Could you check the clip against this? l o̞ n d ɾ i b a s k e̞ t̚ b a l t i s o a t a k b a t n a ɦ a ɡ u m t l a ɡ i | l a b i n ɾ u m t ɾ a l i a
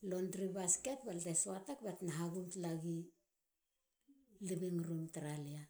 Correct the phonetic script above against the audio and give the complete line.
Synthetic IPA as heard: l o̞ n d ɾ i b a s k e̞ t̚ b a l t e s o a t a k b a t n a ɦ a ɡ u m t l a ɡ i | l i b i ŋ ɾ u m t ɾ a l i a